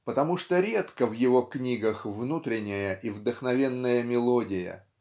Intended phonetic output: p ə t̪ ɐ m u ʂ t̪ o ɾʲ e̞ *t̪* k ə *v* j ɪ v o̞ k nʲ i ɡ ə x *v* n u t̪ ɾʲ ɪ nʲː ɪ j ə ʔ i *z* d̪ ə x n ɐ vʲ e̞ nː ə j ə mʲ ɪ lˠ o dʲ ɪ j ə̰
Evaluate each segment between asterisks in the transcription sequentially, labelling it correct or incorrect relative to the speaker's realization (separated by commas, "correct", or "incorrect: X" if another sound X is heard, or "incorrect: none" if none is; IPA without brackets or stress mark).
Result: correct, correct, correct, incorrect: v